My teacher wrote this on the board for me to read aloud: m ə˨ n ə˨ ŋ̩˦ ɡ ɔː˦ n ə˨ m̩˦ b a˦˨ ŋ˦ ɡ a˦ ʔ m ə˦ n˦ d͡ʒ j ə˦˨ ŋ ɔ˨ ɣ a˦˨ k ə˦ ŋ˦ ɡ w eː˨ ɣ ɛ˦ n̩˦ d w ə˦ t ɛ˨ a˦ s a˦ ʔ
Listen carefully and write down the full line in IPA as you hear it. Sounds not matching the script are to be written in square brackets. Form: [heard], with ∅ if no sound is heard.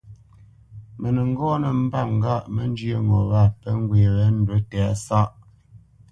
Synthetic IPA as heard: m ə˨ n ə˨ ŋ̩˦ ɡ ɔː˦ n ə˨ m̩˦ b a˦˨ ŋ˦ ɡ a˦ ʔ m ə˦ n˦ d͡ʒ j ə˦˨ ŋ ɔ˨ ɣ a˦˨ [p] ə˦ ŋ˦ ɡ w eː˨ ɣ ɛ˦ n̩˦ d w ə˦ t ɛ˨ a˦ s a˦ ʔ

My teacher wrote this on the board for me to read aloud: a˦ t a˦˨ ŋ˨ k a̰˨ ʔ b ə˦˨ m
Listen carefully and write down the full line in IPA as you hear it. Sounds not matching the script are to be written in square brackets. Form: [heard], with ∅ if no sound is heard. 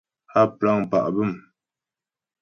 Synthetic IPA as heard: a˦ [p] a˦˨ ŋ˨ [p] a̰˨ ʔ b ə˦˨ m

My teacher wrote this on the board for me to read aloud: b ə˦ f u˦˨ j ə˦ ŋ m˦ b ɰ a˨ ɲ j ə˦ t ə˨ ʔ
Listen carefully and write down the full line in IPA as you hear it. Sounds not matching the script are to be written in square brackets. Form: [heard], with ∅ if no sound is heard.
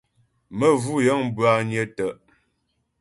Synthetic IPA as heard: [m] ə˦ [v] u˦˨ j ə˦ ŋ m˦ b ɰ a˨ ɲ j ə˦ t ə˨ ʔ

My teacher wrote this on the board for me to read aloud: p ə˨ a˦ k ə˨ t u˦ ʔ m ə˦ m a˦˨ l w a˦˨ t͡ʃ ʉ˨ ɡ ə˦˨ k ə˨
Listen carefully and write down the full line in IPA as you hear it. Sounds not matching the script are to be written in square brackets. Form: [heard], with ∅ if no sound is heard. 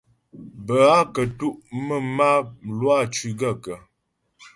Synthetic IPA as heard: [b] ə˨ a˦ k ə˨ t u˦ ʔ m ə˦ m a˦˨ l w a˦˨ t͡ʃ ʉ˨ ɡ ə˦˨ k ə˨

